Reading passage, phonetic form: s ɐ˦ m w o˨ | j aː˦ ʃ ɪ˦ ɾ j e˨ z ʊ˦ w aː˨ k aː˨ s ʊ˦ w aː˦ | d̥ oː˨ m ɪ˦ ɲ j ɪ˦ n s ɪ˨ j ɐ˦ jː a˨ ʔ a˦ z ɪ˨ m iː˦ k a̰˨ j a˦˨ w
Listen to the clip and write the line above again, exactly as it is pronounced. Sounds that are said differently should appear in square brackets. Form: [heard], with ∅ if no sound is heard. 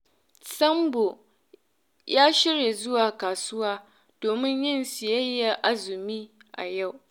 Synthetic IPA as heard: s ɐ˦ m [b] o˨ | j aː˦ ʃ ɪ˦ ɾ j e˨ z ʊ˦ w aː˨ k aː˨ s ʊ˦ w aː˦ | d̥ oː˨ m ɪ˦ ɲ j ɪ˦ n s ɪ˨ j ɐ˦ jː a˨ ʔ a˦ z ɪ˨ m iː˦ [ʔ] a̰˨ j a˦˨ w